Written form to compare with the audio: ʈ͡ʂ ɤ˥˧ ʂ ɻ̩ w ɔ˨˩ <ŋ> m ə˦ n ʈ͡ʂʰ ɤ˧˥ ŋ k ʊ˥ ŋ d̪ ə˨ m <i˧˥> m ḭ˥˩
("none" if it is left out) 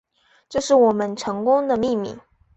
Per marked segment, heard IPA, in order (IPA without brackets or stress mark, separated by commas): none, i˥˧